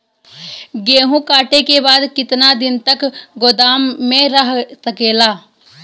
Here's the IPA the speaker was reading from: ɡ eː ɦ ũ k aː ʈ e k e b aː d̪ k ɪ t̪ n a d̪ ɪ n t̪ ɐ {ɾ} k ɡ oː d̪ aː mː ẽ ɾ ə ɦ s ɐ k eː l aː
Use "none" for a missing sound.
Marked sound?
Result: none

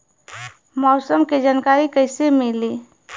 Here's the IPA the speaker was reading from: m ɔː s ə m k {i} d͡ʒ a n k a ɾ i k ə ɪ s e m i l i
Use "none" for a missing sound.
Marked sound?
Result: e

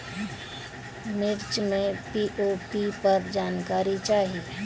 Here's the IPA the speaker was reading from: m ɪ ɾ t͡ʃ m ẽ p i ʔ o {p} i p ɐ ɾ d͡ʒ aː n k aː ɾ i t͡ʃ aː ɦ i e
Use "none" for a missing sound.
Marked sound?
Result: p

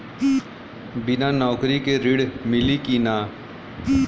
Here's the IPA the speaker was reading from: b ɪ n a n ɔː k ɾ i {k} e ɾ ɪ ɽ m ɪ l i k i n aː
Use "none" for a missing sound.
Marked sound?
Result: k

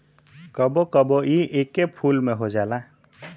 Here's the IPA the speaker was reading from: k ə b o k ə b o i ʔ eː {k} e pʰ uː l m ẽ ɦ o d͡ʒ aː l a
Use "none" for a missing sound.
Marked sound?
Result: k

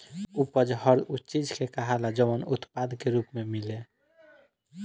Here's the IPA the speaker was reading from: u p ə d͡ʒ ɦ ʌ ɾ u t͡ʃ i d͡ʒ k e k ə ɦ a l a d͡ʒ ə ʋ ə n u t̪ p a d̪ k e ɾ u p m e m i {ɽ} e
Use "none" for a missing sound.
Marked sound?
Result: l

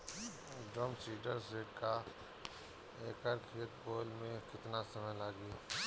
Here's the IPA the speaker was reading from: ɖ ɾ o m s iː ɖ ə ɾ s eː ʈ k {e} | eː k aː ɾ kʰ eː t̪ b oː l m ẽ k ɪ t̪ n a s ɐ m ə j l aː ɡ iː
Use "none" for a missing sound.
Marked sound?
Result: a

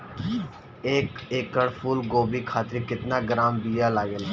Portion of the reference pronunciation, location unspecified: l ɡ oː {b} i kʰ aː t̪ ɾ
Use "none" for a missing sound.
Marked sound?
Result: b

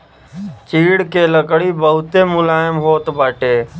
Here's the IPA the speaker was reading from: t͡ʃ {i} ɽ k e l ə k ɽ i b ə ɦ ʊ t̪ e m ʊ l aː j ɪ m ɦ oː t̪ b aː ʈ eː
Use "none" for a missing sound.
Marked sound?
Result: iː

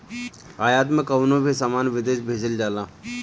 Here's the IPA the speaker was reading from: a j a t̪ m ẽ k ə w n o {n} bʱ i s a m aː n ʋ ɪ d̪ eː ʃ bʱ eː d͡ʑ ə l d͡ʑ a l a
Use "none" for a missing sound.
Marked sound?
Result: none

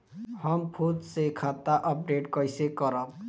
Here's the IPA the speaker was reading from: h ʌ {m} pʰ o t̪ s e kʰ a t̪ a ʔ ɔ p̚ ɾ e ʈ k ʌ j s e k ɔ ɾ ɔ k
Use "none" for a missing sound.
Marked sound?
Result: m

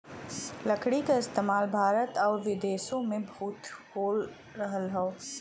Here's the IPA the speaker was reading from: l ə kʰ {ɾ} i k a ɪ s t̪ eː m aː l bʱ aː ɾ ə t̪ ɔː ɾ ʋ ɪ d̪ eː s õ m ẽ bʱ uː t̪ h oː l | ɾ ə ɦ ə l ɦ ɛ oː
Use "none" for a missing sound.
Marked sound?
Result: ɽ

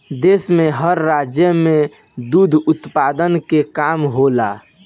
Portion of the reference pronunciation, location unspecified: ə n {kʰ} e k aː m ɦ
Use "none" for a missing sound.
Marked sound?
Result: k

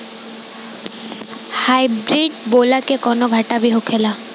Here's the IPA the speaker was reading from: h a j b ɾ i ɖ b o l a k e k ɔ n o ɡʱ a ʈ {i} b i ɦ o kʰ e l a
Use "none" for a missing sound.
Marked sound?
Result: a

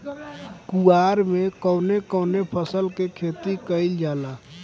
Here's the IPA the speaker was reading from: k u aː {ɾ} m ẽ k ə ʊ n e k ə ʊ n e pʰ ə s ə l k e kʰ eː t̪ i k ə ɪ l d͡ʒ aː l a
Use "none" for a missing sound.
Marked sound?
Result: ɾ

